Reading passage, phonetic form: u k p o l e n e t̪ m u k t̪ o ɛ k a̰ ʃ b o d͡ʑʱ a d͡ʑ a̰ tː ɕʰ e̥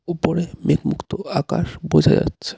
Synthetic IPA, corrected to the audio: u p o ɾ e m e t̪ m u k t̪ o a k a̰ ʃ b o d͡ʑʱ a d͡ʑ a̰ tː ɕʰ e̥